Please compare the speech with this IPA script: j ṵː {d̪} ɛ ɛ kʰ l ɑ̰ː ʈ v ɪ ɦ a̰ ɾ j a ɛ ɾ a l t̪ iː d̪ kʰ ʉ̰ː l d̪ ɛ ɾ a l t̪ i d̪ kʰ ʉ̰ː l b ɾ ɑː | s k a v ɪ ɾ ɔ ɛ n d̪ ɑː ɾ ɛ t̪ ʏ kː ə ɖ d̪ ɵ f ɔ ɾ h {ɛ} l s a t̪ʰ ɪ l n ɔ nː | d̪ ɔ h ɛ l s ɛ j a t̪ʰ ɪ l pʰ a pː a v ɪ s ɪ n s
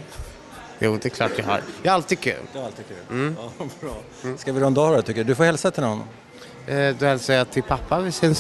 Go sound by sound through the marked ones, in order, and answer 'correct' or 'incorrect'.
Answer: correct, correct

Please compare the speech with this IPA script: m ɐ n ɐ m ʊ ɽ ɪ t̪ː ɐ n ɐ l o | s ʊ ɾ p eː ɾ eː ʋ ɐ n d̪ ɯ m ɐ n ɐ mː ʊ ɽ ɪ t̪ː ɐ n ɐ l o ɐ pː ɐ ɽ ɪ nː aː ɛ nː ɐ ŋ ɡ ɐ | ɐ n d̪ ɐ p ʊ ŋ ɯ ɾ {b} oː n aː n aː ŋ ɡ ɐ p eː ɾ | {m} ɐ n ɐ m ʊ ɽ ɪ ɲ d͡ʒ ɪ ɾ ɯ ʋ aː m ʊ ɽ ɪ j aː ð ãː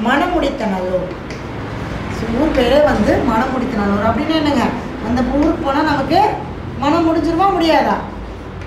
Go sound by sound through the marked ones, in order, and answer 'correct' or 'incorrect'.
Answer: incorrect: p, correct

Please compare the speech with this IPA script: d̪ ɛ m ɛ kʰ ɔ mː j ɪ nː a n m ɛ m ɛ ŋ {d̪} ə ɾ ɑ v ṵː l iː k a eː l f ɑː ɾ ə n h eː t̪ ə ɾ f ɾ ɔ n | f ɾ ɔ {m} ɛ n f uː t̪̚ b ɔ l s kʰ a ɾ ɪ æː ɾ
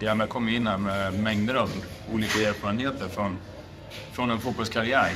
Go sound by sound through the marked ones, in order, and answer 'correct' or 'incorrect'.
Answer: correct, incorrect: n

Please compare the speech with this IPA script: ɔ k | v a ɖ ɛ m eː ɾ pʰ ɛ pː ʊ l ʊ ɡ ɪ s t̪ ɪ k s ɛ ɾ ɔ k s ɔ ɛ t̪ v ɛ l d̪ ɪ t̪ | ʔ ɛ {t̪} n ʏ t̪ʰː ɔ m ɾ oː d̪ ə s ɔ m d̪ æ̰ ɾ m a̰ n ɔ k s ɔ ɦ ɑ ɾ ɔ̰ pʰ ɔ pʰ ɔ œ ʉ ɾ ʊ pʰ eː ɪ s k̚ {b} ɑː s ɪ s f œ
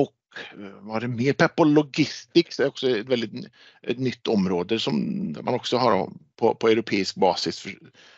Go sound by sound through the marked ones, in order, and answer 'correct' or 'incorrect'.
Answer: correct, correct

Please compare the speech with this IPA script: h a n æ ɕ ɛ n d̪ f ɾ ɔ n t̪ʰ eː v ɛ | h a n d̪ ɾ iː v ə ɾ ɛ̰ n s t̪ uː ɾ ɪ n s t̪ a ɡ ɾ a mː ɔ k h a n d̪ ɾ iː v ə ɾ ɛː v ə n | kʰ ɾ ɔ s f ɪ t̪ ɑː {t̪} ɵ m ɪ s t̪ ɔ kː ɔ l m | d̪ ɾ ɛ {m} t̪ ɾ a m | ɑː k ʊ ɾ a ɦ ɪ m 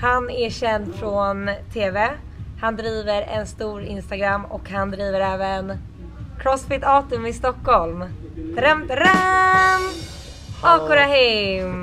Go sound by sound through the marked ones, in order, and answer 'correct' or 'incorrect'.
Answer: correct, correct

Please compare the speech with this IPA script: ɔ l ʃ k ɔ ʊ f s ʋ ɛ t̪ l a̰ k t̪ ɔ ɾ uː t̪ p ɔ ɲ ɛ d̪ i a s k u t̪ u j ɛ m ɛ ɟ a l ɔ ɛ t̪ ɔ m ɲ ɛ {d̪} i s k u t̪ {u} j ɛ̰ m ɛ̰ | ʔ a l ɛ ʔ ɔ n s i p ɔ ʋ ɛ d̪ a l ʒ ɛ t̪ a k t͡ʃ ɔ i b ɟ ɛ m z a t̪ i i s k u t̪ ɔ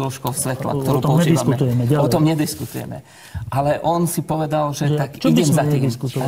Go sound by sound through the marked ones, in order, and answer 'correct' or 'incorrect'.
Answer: correct, correct

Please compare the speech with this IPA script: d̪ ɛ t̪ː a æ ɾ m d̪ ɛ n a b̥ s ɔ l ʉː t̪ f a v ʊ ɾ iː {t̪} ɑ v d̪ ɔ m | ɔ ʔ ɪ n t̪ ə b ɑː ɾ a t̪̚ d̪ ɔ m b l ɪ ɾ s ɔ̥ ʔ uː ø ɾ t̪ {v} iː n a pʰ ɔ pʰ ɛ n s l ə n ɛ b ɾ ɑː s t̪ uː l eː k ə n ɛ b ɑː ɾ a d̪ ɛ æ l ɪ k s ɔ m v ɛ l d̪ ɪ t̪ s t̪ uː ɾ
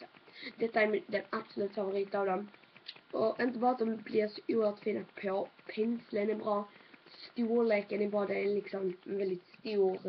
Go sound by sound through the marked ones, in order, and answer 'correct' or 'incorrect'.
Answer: correct, incorrect: f

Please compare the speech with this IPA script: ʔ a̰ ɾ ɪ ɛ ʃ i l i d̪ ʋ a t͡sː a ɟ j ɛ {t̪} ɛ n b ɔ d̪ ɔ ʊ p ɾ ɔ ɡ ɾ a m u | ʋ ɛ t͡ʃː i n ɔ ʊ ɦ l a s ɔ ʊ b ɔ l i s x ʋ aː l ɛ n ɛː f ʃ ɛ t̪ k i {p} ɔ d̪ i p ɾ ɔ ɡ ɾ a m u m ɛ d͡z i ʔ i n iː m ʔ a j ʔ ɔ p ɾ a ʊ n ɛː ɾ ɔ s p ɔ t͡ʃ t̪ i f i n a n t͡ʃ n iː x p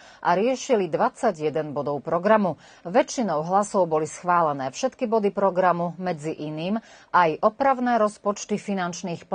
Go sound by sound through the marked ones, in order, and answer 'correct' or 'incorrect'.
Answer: incorrect: d̪, incorrect: b

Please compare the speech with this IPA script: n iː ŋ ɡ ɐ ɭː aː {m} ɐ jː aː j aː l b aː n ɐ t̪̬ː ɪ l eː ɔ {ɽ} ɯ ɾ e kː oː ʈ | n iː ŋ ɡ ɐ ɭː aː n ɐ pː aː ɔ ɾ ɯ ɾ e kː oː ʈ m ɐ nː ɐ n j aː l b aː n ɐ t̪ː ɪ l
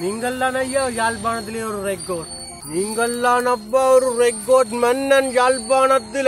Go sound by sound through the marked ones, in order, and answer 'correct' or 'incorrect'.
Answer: incorrect: n, incorrect: ɾ

